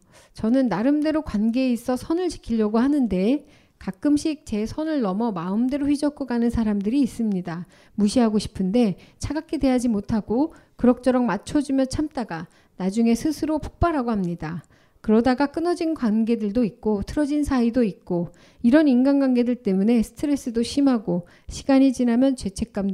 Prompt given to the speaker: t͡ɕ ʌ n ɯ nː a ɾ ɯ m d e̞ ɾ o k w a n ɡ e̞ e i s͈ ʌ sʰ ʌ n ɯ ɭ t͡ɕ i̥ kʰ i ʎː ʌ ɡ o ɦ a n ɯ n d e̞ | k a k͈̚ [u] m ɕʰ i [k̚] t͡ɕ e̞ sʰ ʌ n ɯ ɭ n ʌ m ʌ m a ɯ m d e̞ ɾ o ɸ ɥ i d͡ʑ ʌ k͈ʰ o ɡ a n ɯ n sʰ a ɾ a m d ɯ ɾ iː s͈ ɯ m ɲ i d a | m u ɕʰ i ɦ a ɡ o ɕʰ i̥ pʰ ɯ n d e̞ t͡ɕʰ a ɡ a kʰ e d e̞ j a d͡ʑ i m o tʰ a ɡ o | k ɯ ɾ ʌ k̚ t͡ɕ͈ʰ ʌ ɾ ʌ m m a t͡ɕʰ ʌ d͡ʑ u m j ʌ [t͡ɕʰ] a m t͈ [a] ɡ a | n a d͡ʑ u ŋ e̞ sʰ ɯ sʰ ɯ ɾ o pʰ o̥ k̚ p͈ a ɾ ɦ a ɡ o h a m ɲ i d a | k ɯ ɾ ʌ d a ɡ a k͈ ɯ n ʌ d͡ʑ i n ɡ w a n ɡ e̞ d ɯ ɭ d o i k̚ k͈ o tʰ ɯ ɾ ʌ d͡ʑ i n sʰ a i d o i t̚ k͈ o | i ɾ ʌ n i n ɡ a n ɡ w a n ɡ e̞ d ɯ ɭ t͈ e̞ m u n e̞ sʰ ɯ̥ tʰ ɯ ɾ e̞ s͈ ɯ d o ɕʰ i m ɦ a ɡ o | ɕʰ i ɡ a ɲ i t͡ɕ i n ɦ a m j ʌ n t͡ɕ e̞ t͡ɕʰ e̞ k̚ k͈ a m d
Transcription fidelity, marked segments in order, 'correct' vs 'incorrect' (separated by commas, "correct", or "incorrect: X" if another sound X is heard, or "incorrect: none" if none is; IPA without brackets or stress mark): incorrect: ɯ, correct, correct, correct